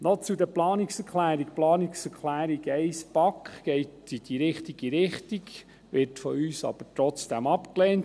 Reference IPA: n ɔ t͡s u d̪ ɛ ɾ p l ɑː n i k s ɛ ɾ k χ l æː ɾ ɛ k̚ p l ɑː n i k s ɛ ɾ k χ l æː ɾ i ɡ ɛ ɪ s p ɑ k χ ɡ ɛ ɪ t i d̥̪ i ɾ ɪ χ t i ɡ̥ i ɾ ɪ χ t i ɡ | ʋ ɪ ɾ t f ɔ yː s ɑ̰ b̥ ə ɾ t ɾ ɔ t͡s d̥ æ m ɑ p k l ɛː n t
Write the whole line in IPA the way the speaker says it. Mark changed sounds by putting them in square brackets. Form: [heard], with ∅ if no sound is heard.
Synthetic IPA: n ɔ t͡s u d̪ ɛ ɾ p l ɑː n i k s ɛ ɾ k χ l æː ɾ [i] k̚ p l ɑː n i k s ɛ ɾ k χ l æː ɾ i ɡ ɛ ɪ s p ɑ k χ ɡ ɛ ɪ t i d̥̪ i ɾ ɪ χ t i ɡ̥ i ɾ ɪ χ t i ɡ | ʋ ɪ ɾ t f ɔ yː s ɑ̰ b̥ ə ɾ t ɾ ɔ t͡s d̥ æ m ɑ p k l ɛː n t